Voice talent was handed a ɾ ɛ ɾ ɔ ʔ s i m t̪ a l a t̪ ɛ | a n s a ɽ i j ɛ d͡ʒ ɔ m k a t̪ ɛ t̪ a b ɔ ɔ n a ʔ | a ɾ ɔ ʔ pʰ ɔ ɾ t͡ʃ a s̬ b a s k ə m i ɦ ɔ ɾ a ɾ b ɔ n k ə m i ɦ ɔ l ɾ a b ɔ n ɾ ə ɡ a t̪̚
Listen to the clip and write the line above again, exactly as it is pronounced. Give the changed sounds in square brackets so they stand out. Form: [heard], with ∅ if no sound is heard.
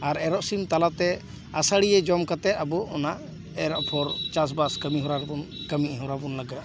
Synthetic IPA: a ɾ ɛ ɾ ɔ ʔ s i m t̪ a l a t̪ ɛ | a [∅] s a ɽ i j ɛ d͡ʒ ɔ m k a t̪ ɛ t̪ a b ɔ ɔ n a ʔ | [ɛ] ɾ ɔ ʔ pʰ ɔ ɾ t͡ʃ a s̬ b a s k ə m i ɦ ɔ ɾ a ɾ b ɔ n k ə m i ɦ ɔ [∅] ɾ a b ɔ n [l] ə ɡ a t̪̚